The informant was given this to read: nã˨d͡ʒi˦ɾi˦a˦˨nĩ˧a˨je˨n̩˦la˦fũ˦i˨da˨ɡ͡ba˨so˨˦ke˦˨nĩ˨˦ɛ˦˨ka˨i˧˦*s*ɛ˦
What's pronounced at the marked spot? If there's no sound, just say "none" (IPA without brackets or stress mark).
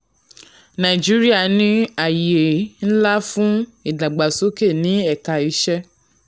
ʃ